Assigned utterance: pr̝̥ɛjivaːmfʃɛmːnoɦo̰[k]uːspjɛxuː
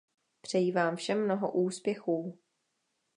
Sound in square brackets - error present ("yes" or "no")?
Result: yes